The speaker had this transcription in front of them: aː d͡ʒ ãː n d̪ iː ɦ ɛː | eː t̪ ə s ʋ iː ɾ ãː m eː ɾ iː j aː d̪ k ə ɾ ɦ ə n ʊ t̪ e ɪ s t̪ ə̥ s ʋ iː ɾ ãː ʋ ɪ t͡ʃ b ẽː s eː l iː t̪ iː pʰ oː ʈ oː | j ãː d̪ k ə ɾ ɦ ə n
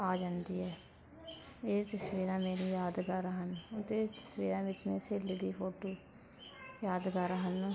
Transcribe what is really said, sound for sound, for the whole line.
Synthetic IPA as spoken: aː d͡ʒ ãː n d̪ iː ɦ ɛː | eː t̪ ə s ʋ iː ɾ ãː m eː ɾ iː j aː d̪ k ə ɾ ɦ ə n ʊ t̪ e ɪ s t̪ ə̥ s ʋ iː ɾ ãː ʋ ɪ t͡ʃ m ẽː s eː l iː d̪ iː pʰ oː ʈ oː | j aː d̪ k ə ɾ ɦ ə n